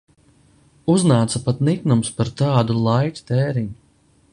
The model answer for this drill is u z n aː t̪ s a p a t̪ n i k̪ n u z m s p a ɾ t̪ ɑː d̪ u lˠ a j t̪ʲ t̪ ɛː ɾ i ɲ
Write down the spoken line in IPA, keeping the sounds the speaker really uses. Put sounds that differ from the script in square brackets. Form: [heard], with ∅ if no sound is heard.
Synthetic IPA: u z n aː t̪ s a p a t̪ n i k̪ n u [∅] m s p a ɾ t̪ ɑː d̪ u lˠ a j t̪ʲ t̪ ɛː ɾ i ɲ